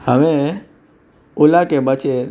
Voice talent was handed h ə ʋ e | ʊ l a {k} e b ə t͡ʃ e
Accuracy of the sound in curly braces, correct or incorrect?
correct